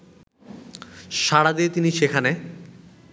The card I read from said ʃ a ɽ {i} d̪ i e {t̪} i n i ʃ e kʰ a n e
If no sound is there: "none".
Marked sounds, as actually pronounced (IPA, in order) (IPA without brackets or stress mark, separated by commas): a, t̪